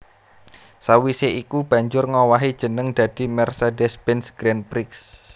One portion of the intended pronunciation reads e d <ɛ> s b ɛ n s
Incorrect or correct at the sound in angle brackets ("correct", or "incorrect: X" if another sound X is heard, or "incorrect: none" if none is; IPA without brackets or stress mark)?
correct